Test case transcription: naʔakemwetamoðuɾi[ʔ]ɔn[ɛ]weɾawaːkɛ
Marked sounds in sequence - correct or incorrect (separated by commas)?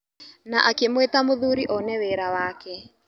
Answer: correct, correct